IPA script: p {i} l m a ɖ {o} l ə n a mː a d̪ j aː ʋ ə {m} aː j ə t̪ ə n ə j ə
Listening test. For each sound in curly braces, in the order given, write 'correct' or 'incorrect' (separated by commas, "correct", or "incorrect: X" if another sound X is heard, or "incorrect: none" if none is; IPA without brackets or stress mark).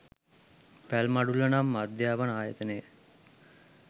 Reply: incorrect: æ, incorrect: u, incorrect: n